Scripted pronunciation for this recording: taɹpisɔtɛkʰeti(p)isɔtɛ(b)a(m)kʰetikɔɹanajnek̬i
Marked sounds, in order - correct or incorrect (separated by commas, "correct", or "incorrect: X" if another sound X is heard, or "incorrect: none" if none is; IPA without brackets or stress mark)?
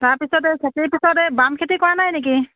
correct, correct, correct